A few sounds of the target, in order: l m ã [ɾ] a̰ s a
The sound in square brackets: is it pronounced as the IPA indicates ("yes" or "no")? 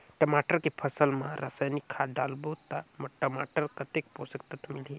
yes